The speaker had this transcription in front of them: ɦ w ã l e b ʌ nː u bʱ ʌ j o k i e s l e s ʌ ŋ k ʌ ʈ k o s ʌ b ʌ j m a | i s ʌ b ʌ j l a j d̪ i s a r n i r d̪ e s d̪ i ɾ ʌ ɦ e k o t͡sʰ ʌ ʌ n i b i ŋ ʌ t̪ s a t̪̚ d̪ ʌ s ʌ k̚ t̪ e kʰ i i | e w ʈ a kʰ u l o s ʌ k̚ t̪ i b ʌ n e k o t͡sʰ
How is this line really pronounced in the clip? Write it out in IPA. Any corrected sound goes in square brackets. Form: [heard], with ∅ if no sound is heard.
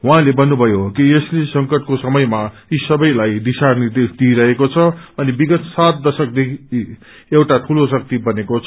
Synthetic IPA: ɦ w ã l e b ʌ nː u bʱ ʌ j o k i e s l e s ʌ ŋ k ʌ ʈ k o s ʌ [m] ʌ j m a | i s ʌ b ʌ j l a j d̪ i s a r n i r d̪ e s d̪ i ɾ ʌ ɦ e k o t͡sʰ ʌ ʌ n i b i [ɡ] ʌ t̪ s a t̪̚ d̪ ʌ s ʌ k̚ [d̪] e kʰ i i | e w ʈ a [ʈʰ] u l o s ʌ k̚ t̪ i b ʌ n e k o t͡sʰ